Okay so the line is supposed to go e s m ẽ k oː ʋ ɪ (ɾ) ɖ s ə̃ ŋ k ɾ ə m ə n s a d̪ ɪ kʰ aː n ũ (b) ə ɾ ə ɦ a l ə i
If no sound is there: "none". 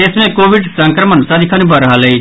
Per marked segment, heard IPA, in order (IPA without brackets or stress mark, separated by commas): none, b